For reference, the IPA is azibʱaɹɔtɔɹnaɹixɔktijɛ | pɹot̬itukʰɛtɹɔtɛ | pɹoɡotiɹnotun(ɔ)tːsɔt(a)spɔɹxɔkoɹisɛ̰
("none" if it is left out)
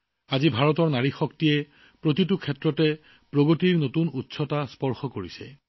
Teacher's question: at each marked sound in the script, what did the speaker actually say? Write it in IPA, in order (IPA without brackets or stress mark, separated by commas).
u, a